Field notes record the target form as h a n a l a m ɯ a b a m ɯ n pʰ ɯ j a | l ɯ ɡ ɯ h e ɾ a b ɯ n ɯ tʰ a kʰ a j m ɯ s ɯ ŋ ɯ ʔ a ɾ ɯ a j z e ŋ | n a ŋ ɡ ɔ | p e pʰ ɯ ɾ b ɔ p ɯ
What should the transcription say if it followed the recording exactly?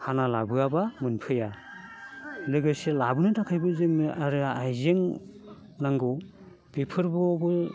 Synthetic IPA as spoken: h a n a l a b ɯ a b a m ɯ n pʰ ɯ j a | l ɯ ɡ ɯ s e l a b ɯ n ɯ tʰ a kʰ a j b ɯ z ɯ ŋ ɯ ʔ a ɾ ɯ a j z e ŋ | n a ŋ ɡ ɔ | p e pʰ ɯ ɾ b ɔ b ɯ